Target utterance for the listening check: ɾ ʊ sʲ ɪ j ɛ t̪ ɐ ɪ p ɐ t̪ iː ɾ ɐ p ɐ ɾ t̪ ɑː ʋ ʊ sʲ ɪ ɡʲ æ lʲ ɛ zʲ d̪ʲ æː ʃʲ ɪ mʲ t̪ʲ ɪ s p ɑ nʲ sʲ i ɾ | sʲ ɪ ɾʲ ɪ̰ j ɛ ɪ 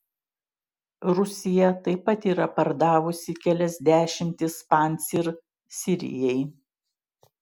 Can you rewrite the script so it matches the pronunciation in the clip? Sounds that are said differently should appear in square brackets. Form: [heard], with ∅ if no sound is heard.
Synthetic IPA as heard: ɾ ʊ sʲ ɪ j ɛ t̪ ɐ ɪ p ɐ t̪ iː ɾ ɐ p ɐ ɾ [d̪] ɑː ʋ ʊ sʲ ɪ [kʲ] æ lʲ ɛ zʲ d̪ʲ æː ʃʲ ɪ mʲ t̪ʲ ɪ s p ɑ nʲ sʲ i ɾ | sʲ ɪ ɾʲ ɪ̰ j ɛ ɪ